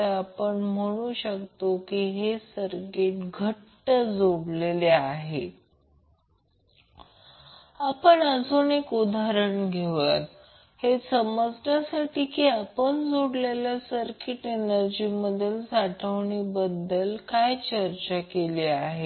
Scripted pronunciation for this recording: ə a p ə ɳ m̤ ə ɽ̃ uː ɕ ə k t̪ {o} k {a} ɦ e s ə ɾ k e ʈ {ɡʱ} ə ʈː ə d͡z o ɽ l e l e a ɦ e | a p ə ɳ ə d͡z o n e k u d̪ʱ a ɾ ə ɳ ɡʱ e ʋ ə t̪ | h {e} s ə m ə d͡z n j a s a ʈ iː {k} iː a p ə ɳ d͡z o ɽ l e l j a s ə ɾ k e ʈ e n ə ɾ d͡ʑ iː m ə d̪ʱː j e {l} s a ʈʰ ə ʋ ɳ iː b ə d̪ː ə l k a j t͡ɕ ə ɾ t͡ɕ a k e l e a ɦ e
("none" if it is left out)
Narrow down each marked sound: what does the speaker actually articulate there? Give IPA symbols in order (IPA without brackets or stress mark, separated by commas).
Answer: o, i, ɡʱ, e, k, l